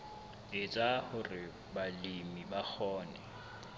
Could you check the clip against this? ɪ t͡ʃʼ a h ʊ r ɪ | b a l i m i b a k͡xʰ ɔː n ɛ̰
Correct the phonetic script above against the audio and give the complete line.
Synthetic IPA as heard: ɪ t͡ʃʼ a h ʊ r ɪ | b a l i m i b a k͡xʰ ɔː n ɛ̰